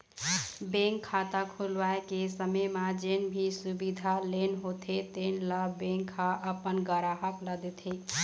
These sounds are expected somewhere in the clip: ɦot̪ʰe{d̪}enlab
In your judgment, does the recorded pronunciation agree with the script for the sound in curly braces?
no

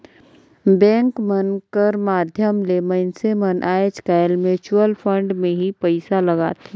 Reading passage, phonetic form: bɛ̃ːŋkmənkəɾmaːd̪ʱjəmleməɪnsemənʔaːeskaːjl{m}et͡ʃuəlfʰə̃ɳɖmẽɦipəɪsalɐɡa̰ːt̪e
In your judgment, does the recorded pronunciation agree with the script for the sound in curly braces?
yes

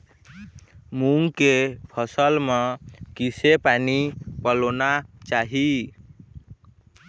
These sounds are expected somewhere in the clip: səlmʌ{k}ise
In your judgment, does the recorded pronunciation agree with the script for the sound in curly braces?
yes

